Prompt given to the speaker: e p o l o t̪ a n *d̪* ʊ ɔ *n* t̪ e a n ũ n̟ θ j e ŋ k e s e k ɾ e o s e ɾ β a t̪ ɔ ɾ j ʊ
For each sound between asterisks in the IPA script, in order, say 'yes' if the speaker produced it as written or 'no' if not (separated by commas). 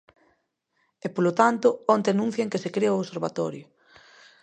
no, yes